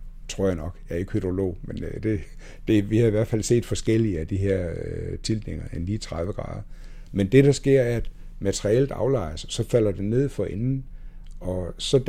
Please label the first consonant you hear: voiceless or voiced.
voiceless